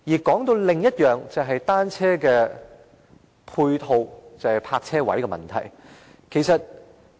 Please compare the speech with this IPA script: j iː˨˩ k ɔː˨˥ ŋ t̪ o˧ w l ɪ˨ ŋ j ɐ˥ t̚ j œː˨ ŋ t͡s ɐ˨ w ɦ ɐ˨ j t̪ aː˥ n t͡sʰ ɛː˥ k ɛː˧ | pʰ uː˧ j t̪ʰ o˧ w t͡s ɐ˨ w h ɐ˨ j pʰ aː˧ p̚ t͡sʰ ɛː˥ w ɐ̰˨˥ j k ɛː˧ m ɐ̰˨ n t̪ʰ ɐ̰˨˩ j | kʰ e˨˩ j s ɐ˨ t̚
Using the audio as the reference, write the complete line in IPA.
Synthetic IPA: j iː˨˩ k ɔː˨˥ ŋ t̪ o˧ w l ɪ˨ ŋ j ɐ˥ t̚ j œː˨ ŋ t͡s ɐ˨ w ɦ ɐ˨ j t̪ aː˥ n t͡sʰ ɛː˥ k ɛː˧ | pʰ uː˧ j t̪ʰ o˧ w t͡s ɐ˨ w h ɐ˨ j pʰ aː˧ k̚ t͡sʰ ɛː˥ w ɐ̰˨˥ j k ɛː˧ m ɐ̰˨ n t̪ʰ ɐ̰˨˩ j | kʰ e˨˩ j s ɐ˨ t̚